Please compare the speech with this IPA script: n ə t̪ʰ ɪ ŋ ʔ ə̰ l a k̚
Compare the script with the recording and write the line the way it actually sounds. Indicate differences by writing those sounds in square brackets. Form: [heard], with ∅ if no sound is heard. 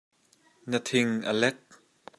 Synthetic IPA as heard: n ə t̪ʰ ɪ ŋ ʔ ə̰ l [ɛ] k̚